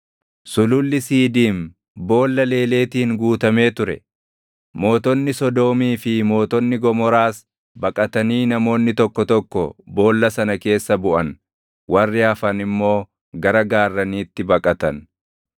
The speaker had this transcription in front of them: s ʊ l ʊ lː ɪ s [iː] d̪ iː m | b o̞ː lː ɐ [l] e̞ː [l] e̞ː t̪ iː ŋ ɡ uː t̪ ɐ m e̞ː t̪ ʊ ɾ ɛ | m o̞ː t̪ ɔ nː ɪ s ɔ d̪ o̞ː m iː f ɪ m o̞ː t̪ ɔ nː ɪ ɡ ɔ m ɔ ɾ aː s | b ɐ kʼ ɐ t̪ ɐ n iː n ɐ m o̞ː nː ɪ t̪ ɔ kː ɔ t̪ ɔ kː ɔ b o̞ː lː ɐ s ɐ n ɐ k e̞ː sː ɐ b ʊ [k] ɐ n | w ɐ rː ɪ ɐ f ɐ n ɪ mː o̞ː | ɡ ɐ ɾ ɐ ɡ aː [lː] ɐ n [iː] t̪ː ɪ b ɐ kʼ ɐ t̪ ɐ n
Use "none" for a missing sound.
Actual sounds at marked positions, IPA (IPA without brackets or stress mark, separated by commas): iː, l, l, ʔ, rː, iː